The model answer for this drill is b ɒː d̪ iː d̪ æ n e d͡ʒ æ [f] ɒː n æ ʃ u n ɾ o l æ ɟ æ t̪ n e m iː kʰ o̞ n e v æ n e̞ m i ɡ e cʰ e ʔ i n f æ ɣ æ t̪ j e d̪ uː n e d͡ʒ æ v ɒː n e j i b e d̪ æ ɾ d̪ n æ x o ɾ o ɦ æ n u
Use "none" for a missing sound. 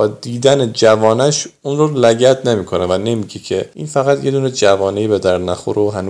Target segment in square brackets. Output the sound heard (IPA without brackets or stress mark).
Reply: v